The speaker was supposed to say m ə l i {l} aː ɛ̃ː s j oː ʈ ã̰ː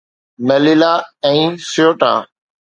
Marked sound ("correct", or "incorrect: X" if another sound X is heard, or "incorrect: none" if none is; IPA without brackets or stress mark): correct